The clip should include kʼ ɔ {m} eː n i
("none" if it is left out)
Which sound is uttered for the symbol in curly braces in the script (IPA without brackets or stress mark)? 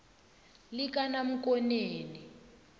n